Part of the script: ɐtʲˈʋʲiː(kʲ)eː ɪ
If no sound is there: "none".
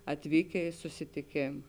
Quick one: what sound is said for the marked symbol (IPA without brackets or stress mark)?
kʲ